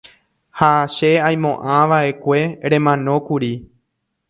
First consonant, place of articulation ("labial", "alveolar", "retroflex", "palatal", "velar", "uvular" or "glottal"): glottal